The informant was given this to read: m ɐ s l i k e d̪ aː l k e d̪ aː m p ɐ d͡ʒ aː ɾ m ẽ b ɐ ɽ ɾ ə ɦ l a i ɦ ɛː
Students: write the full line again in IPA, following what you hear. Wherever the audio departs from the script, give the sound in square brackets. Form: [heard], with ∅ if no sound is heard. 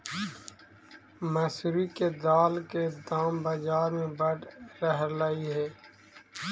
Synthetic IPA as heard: m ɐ s [ɾ] i k e d̪ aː l k e d̪ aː m [b] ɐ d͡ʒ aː ɾ m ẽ b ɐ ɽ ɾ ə ɦ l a i ɦ ɛː